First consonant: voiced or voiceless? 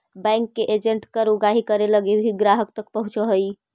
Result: voiced